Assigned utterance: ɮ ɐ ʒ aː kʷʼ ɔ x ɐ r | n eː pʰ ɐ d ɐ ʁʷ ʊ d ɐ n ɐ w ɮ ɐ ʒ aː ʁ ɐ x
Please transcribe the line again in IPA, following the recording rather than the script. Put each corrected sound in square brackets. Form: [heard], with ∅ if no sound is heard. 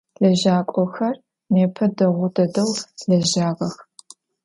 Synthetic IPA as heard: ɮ ɐ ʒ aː kʷʼ ɔ x ɐ r | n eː pʰ ɐ d ɐ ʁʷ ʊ d ɐ [d] ɐ w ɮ ɐ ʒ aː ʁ ɐ x

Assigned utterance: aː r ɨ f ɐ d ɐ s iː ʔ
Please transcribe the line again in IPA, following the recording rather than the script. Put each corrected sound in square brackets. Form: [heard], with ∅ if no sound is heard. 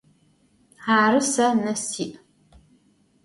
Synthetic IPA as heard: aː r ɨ [s] ɐ [n] ɐ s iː ʔ

